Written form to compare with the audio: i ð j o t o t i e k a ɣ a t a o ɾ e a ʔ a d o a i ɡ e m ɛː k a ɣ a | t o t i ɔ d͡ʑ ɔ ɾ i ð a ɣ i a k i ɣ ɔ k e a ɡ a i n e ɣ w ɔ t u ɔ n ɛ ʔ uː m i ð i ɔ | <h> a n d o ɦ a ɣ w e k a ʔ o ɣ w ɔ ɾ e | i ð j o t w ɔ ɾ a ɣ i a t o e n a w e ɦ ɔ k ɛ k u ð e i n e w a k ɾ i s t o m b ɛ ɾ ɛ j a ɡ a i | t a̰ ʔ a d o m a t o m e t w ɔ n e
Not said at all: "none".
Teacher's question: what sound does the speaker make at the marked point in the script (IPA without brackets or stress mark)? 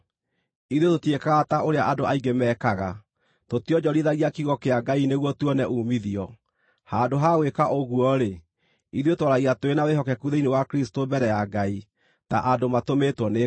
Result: h